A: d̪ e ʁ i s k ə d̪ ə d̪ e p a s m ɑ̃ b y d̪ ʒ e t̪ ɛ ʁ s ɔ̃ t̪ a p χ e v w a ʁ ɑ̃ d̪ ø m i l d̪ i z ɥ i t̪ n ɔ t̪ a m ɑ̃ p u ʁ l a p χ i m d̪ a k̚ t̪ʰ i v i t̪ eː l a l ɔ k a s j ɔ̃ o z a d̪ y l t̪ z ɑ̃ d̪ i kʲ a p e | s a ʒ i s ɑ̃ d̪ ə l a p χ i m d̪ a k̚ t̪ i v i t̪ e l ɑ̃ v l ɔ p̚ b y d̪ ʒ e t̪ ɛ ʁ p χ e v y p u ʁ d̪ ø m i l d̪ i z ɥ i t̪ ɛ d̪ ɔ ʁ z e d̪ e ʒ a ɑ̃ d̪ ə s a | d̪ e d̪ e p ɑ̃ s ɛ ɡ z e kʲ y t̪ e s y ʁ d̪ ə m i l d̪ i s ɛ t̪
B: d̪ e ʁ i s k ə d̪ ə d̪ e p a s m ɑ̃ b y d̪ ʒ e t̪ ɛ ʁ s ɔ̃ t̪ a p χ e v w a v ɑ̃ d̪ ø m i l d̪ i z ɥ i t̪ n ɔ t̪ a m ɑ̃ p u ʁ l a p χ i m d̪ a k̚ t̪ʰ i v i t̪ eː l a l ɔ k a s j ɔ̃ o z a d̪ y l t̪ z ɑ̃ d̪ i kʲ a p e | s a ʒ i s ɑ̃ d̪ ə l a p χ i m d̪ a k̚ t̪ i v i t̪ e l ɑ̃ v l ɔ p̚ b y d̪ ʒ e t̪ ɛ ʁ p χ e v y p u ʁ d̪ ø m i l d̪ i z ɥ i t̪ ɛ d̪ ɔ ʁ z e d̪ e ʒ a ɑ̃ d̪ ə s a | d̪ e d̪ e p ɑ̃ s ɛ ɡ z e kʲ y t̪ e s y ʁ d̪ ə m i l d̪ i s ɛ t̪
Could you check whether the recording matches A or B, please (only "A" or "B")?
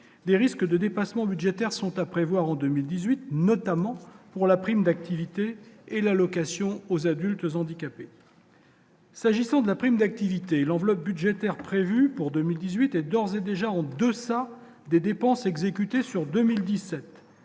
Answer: A